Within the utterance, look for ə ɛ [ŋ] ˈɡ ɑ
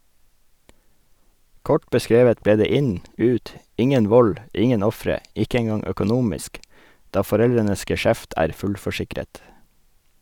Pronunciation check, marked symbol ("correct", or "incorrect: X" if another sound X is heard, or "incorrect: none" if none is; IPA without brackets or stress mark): correct